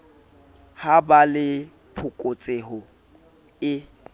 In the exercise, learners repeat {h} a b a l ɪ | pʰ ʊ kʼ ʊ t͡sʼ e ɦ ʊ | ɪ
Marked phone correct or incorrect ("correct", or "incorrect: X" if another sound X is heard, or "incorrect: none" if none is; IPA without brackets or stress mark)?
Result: correct